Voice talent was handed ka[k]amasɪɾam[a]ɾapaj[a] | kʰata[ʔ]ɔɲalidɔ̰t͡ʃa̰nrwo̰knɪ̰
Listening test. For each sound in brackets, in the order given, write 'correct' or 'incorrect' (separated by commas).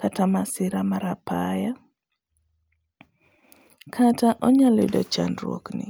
incorrect, correct, correct, correct